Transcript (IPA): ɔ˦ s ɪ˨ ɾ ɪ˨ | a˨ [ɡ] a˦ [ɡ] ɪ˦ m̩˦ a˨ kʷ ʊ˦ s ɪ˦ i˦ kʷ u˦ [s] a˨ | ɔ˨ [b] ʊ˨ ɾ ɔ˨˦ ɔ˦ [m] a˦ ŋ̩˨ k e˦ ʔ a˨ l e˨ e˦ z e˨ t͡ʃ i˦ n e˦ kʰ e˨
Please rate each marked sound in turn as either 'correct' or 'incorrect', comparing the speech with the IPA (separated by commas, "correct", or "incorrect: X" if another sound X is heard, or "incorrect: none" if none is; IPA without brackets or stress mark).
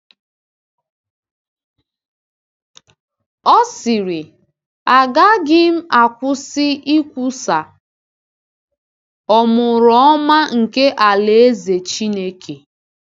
correct, correct, correct, incorrect: m, correct